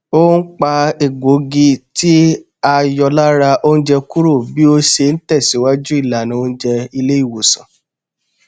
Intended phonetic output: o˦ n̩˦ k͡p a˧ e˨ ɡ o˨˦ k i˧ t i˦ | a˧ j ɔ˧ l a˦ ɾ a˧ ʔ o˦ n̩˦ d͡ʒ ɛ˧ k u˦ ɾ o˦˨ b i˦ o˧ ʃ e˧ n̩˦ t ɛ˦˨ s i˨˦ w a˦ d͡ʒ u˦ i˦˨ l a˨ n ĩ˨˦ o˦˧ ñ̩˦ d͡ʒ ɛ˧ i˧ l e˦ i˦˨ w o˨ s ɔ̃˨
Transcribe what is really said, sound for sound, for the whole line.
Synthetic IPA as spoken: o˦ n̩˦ k͡p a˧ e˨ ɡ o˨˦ ɡ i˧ t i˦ | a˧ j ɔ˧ l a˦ ɾ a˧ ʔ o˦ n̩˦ d͡ʒ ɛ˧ k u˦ ɾ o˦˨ b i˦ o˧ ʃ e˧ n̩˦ t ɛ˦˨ s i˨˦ w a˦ d͡ʒ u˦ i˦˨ l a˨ n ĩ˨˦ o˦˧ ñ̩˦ d͡ʒ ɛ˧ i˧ l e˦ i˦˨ w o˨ s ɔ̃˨